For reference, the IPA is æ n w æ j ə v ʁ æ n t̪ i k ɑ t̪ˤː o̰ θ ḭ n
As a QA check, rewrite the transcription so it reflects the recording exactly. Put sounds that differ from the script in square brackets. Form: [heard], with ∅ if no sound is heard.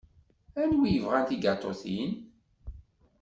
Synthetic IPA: æ n w [i] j ə v ʁ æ n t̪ i [ɡ] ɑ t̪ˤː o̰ θ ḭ n

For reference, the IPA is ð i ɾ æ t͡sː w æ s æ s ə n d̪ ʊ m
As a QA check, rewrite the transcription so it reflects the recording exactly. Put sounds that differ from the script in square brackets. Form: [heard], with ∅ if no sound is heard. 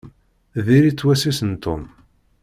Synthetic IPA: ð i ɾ [i] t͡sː w æ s [i] s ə n [t̪] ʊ m

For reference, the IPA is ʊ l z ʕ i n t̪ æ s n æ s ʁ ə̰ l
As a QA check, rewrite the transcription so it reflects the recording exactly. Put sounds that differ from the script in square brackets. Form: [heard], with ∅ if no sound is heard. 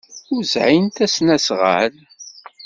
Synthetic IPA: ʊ [ɾ] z ʕ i n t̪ æ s n æ s ʁ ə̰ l

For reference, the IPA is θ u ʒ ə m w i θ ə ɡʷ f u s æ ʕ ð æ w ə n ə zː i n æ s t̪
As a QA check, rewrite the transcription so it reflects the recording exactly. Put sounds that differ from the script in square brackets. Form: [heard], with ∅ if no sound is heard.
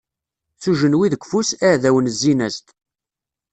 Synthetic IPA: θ u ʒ ə [n] w i [ð] ə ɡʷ f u s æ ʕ ð æ w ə n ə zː i n æ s t̪

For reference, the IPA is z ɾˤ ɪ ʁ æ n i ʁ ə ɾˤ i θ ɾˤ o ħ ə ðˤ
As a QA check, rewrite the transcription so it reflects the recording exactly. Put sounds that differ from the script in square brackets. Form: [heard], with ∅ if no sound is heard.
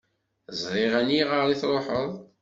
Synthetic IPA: z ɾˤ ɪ ʁ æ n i ʁ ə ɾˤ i θ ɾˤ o ħ ə ðˤ

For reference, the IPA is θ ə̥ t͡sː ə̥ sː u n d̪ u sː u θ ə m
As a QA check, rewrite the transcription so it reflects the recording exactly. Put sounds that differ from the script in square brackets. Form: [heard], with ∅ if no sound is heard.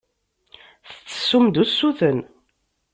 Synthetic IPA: θ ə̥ t͡sː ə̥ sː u [m] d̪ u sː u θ ə [n]

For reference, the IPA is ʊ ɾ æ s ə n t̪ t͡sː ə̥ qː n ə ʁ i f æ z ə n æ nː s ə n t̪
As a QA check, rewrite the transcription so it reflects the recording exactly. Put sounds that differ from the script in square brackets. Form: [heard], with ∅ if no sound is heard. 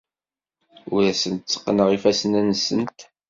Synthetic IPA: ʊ ɾ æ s ə n t̪ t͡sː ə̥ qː n ə ʁ i f æ [s] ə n æ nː s ə n t̪

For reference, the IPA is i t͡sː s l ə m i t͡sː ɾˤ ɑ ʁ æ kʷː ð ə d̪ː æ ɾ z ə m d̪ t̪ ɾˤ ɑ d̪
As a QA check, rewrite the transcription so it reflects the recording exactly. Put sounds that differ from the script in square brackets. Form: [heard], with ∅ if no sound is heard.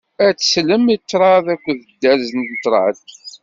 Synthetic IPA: [æ] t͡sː s l ə m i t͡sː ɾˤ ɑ [ð] æ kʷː ð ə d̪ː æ ɾ z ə [n] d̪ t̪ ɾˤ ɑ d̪

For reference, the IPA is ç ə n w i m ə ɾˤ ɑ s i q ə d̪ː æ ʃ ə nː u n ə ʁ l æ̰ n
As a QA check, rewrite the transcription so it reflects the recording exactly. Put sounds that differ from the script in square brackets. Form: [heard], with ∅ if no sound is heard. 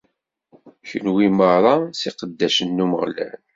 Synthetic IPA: ç ə n w i m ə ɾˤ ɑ s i q ə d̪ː æ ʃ ə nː u [m] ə ʁ l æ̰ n

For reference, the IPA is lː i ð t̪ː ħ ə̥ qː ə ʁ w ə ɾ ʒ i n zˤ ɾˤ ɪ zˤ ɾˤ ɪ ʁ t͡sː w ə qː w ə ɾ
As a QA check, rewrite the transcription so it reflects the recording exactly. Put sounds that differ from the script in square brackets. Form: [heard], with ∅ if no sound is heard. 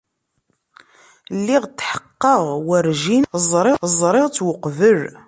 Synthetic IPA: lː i [ʁ] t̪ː ħ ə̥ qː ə ʁ w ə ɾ ʒ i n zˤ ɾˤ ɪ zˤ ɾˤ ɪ ʁ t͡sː w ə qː [v] ə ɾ

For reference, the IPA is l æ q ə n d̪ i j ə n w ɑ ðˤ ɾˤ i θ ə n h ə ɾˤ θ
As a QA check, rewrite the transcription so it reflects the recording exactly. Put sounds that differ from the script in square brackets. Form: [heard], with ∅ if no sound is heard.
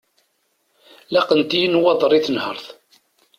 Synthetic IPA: l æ q ə n [t̪] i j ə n w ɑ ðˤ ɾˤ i θ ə n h ə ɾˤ θ

